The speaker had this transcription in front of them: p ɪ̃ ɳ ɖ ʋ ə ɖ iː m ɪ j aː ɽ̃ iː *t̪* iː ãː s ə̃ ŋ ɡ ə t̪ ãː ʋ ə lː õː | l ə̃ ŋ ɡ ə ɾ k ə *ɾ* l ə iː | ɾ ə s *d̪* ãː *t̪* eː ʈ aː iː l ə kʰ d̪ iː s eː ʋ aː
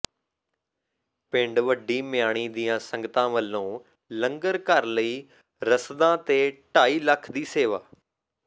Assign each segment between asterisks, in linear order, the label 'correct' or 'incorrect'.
incorrect, correct, correct, correct

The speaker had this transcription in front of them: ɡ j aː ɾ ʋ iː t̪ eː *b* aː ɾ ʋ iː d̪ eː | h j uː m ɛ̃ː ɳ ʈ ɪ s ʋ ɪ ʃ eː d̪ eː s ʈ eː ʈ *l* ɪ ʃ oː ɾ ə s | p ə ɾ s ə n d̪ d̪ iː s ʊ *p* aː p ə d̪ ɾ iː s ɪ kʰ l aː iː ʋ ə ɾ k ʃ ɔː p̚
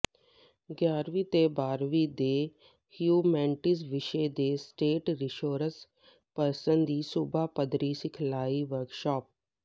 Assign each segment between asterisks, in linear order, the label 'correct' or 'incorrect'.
correct, incorrect, incorrect

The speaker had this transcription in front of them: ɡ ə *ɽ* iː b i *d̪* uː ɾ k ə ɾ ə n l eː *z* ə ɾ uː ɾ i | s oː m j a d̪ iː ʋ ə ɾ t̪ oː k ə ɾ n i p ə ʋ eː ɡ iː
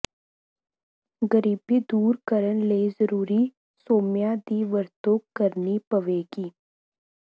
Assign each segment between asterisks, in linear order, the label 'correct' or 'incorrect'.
incorrect, correct, correct

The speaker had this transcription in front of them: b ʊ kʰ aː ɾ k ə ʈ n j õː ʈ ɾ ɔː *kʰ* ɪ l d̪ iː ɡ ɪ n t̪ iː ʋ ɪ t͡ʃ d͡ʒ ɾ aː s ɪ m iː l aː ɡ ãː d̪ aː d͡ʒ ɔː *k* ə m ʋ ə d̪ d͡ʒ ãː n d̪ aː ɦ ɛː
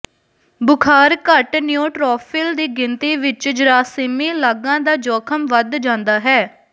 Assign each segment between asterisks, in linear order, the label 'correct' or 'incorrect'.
incorrect, incorrect

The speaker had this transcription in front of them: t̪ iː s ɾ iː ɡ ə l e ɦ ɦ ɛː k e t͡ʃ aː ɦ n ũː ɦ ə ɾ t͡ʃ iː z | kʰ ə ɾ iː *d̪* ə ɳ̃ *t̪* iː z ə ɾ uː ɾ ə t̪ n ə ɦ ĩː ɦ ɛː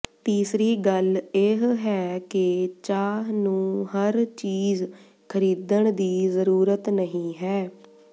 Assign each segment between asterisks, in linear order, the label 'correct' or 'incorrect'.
correct, incorrect

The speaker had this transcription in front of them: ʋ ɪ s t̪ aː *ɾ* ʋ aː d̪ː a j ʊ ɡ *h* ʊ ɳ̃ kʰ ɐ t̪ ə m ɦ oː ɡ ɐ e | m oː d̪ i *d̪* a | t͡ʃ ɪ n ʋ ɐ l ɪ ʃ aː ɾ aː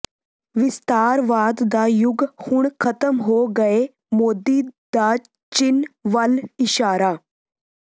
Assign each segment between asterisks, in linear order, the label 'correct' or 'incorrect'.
correct, correct, correct

